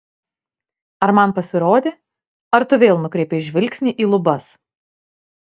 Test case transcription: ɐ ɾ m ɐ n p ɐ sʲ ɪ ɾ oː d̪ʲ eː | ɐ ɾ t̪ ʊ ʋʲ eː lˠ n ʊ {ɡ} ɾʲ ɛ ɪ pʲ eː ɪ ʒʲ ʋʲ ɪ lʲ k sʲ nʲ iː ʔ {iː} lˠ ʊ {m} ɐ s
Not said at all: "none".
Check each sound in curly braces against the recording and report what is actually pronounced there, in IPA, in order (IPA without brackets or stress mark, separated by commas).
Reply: k, iː, b